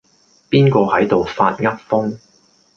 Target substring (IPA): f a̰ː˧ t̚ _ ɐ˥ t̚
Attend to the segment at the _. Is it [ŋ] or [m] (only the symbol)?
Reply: ŋ